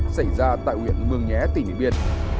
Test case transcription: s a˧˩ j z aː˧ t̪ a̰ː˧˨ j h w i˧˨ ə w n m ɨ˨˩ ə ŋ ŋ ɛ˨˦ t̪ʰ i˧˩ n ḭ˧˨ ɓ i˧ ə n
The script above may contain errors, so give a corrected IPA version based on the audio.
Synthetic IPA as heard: s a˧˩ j z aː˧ t̪ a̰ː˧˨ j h w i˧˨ ə n m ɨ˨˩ ə ŋ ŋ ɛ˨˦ t̪ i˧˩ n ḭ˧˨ ɓ i˧ ə n